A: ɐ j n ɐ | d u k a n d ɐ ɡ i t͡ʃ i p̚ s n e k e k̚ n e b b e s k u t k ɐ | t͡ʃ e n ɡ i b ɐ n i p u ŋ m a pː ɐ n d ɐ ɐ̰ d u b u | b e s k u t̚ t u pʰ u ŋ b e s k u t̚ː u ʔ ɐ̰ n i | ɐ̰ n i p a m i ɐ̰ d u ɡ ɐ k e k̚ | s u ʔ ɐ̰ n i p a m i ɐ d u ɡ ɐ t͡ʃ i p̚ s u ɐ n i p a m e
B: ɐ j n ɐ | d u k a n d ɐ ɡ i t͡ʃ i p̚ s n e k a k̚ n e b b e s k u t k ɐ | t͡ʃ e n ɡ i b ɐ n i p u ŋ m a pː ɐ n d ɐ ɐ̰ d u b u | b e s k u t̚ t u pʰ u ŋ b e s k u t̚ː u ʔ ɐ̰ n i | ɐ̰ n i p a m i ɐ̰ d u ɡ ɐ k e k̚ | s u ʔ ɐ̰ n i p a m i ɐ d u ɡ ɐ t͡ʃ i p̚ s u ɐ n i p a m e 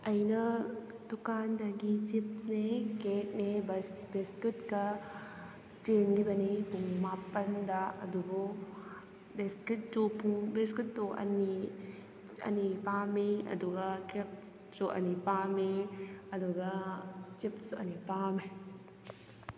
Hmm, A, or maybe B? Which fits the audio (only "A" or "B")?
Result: A